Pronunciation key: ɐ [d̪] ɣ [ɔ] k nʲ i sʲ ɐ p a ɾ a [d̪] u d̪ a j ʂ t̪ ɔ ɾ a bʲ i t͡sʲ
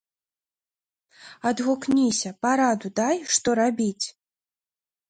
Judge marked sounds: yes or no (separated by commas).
yes, no, yes